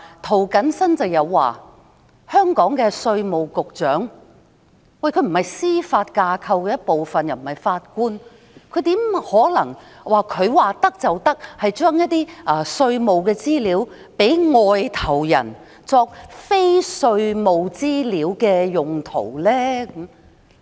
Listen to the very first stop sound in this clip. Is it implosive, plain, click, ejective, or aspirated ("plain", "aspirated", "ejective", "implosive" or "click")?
aspirated